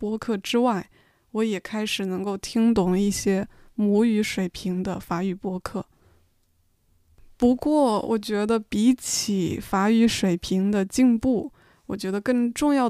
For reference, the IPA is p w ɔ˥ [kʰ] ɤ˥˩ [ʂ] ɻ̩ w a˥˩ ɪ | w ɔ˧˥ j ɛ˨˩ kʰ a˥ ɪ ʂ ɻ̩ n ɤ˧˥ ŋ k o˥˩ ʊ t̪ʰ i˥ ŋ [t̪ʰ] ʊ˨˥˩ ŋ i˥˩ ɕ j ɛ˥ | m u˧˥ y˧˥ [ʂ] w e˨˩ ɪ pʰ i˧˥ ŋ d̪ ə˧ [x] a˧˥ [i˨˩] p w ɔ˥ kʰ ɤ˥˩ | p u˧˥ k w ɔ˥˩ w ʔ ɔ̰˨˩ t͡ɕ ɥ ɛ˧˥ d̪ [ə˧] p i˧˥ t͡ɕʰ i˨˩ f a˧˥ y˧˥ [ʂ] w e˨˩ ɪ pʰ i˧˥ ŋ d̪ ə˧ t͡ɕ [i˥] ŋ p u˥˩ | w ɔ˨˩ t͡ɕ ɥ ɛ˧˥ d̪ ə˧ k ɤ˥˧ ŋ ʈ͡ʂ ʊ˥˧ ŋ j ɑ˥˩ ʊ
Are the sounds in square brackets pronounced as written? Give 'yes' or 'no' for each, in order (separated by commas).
yes, no, no, yes, no, no, yes, yes, no